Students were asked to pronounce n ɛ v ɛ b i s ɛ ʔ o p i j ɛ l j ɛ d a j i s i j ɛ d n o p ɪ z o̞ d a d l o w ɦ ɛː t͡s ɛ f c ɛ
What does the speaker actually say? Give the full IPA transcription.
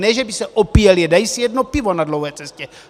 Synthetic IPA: n ɛ ʒ ɛ b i s ɛ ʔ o p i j ɛ l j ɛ d a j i s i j ɛ d n o p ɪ v o̞ n a d l o w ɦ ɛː t͡s ɛ s c ɛ